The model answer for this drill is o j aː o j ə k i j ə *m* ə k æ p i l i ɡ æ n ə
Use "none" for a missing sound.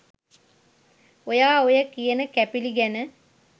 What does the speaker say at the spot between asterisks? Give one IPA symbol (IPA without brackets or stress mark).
n